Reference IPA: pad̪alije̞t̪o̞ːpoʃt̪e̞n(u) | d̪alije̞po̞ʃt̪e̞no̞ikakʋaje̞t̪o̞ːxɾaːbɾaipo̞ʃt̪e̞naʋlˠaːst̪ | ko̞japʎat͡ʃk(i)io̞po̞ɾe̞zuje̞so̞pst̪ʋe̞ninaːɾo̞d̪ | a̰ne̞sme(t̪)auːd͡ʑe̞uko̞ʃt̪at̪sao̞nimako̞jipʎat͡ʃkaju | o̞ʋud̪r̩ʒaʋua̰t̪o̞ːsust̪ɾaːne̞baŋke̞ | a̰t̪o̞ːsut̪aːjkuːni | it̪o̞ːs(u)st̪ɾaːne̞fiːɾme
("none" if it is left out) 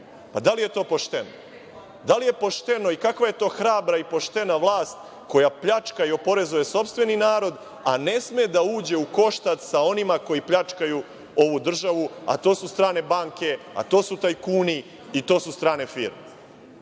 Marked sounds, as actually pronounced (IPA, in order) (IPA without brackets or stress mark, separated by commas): o, a, d̪, u